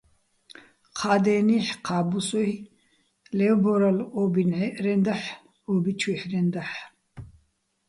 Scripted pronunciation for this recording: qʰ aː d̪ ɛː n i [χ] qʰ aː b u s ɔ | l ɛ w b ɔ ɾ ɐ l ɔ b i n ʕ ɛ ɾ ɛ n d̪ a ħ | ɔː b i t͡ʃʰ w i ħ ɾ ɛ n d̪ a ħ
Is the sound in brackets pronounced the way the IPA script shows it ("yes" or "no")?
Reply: no